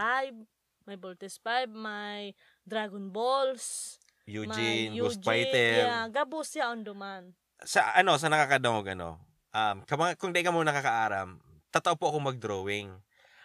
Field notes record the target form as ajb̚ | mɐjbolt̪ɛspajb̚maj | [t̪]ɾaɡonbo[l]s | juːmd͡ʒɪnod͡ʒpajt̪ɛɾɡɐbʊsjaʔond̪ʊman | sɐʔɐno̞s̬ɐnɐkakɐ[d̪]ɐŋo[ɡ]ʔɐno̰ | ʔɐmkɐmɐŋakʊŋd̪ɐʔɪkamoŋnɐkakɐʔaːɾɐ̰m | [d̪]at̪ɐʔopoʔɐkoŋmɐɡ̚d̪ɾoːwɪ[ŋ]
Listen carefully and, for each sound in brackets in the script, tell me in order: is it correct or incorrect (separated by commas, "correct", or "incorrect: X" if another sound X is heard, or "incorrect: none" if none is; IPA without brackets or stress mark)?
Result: incorrect: d̪, correct, correct, correct, incorrect: t̪, correct